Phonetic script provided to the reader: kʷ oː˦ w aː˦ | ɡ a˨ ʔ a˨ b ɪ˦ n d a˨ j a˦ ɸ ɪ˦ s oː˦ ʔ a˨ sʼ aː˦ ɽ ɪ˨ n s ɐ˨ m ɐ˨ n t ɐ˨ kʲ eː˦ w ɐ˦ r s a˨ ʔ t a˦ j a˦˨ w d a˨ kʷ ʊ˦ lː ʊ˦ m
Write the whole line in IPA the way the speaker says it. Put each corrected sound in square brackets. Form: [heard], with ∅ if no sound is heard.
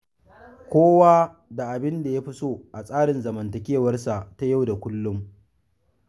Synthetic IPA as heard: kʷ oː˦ w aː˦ | [d] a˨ ʔ a˨ b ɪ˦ n d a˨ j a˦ ɸ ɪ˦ s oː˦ ʔ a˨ sʼ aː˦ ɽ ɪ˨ n [z] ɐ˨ m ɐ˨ n t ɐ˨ kʲ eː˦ w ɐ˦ r s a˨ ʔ t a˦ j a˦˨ w d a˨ kʷ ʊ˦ lː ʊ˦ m